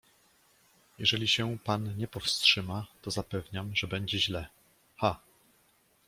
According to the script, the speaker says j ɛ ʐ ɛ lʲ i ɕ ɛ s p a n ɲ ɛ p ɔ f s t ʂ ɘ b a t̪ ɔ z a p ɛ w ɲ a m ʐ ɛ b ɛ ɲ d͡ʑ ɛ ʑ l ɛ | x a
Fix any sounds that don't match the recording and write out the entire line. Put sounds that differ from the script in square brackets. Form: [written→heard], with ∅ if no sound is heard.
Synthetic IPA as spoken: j ɛ ʐ ɛ lʲ i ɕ ɛ [s→∅] p a n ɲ ɛ p ɔ f s t ʂ ɘ [b→m] a t̪ ɔ z a p ɛ [w→v] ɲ a m ʐ ɛ b ɛ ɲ d͡ʑ ɛ ʑ l ɛ | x a